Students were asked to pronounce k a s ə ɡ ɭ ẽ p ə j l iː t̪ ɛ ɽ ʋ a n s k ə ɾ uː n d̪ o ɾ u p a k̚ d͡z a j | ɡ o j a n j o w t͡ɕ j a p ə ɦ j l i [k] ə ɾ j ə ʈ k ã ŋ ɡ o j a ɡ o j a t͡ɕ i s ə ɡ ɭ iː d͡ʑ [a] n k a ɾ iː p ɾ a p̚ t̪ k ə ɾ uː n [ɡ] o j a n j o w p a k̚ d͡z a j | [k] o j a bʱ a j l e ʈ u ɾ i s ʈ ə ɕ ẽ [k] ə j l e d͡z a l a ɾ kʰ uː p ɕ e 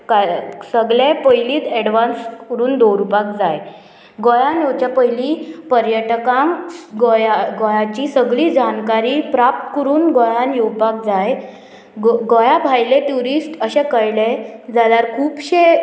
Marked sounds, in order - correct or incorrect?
incorrect: p, correct, correct, incorrect: ɡ, correct

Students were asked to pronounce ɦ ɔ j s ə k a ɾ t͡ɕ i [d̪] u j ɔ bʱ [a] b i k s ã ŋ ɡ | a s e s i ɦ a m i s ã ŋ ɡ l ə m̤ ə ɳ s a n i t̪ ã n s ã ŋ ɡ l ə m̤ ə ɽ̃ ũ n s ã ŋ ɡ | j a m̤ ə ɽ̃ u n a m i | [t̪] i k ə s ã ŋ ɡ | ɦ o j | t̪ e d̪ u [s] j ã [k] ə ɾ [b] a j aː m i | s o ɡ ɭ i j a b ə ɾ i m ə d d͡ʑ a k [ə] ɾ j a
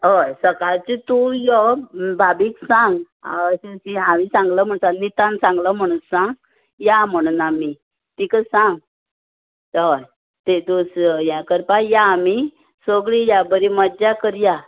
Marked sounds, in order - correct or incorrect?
incorrect: t̪, correct, correct, correct, correct, incorrect: p, correct

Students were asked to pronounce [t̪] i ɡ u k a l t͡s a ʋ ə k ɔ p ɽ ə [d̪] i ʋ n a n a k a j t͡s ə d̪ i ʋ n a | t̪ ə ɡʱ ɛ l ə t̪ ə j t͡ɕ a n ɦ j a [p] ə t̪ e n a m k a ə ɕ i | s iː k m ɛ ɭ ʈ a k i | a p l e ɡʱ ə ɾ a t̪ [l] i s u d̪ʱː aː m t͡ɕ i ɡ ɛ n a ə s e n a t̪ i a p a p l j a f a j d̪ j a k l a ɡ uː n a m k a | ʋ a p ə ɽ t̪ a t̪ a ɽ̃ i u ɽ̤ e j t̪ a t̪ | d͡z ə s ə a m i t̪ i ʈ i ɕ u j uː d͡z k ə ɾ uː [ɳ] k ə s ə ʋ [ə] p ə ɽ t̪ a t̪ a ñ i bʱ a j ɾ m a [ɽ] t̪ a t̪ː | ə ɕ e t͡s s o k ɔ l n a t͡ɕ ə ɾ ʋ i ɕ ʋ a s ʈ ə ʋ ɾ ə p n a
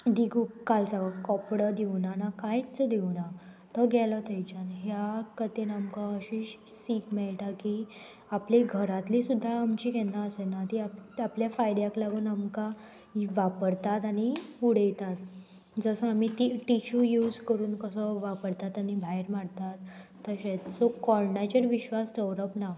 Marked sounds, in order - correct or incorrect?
incorrect: d̪, correct, incorrect: k, correct, incorrect: n, incorrect: a, correct

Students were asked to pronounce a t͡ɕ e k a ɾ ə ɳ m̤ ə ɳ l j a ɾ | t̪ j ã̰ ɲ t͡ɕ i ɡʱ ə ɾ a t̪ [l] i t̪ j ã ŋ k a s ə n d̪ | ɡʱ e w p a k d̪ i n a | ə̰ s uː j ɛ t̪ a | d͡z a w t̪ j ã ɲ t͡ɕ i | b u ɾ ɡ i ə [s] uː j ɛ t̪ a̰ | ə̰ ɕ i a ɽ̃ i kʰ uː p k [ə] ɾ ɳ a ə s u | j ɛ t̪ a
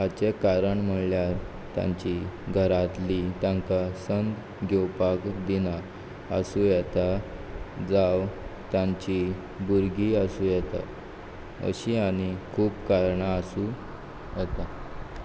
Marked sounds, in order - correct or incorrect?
correct, correct, incorrect: a

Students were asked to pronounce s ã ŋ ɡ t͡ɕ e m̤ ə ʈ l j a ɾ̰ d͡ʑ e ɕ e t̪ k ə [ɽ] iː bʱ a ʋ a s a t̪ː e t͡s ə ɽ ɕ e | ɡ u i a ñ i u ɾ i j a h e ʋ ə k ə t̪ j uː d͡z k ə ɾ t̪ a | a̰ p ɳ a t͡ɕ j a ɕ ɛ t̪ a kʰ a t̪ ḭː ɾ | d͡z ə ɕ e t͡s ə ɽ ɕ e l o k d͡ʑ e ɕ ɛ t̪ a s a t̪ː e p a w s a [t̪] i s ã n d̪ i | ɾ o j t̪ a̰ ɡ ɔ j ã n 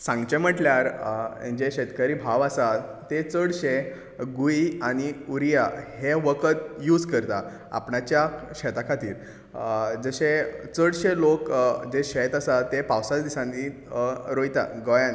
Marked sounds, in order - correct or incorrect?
incorrect: ɾ, incorrect: d̪

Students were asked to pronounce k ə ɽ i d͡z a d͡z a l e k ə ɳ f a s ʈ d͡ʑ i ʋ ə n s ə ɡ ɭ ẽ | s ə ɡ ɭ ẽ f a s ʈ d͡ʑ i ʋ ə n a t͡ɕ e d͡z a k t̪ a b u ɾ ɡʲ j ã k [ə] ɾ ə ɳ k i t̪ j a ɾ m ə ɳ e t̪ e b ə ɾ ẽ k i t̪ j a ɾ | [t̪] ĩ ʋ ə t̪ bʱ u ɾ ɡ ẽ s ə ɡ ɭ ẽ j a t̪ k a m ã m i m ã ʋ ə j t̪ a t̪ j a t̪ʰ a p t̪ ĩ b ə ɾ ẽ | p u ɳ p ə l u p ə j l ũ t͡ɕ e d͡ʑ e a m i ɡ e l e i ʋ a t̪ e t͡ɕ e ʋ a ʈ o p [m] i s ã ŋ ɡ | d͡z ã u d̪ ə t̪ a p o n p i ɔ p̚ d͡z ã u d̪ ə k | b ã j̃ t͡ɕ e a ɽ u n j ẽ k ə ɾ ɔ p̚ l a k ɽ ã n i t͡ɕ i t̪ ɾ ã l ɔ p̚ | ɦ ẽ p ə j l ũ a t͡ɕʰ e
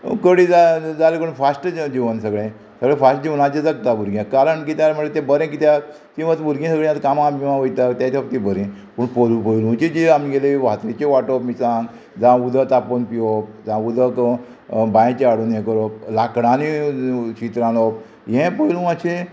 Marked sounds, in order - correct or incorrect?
incorrect: a, correct, correct

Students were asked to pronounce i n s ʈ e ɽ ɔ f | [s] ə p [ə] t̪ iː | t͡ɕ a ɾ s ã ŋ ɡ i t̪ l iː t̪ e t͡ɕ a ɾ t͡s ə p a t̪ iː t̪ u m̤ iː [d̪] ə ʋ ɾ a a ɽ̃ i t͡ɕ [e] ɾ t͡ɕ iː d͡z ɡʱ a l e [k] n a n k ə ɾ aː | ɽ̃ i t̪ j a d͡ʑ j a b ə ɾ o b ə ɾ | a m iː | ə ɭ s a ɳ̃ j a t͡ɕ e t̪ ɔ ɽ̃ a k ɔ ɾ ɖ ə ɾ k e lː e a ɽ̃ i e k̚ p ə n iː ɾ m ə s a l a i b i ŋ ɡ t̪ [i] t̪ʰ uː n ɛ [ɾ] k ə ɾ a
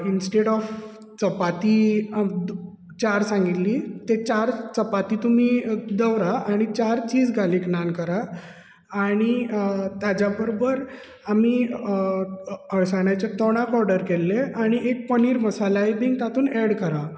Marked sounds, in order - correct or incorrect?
incorrect: t͡s, incorrect: a, correct, incorrect: a, correct, incorrect: a, incorrect: ɽ

